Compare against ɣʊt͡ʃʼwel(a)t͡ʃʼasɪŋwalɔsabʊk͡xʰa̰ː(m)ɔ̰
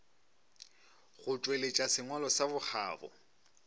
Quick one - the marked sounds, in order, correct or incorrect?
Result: incorrect: e, incorrect: b

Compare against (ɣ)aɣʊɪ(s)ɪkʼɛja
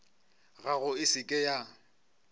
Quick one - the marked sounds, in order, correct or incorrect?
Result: correct, correct

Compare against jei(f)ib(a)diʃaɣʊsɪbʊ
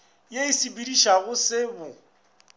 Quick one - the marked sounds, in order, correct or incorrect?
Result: incorrect: s, incorrect: i

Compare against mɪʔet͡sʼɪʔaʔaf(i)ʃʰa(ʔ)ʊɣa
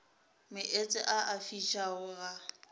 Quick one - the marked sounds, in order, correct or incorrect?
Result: correct, incorrect: none

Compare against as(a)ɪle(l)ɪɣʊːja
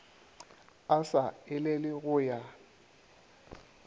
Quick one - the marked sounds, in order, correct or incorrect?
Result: correct, correct

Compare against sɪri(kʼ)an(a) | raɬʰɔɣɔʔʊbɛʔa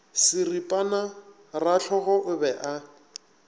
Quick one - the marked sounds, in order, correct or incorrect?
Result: incorrect: pʼ, correct

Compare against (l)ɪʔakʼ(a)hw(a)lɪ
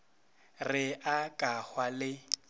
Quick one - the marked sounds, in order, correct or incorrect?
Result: incorrect: r, correct, correct

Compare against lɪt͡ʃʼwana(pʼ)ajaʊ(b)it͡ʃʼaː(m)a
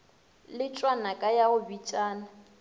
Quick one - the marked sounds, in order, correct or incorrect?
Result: incorrect: kʼ, correct, incorrect: n

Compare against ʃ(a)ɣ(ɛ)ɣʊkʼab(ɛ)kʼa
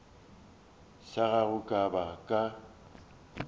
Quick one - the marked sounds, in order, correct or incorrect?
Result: correct, incorrect: a, incorrect: a

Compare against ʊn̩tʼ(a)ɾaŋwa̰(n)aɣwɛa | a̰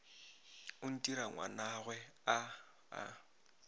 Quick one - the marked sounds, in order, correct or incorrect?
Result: incorrect: i, correct

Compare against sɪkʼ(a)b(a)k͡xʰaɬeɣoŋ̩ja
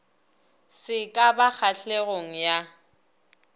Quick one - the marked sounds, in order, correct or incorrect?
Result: correct, correct

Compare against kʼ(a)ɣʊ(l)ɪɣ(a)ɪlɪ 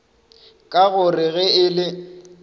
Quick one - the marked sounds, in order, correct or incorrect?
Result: correct, incorrect: r, incorrect: ɛ

